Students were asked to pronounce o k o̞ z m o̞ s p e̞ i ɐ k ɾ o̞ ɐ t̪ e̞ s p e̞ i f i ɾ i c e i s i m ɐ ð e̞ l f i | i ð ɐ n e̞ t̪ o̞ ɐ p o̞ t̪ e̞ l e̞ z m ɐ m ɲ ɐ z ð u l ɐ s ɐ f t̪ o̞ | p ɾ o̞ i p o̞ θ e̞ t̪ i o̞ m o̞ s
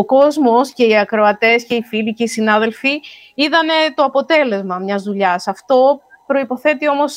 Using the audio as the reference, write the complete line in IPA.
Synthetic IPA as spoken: o k o̞ z m o̞ s c e̞ i ɐ k ɾ o̞ ɐ t̪ e̞ s c e̞ i f i l i c e i s i n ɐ ð e̞ l f i | i ð ɐ n e̞ t̪ o̞ ɐ p o̞ t̪ e̞ l e̞ z m ɐ m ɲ ɐ z ð u ʎ ɐ s ɐ f t̪ o̞ | p ɾ o̞ i p o̞ θ e̞ t̪ i o̞ m o̞ s